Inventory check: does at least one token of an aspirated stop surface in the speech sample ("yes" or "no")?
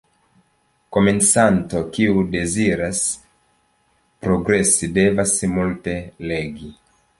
no